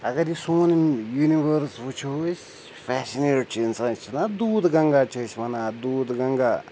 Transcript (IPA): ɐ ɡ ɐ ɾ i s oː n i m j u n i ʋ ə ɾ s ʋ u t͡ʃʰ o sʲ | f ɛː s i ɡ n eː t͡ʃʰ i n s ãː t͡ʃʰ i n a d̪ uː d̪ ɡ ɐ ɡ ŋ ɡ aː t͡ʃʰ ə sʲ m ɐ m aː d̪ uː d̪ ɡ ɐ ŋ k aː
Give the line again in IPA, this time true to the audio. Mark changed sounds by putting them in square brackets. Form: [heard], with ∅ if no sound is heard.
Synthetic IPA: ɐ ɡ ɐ ɾ i s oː n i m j u n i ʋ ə ɾ s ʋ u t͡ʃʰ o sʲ | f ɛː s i [∅] n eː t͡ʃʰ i n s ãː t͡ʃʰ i n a d̪ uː d̪ ɡ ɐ [∅] ŋ ɡ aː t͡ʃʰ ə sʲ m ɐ [n] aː d̪ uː d̪ ɡ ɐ ŋ [ɡ] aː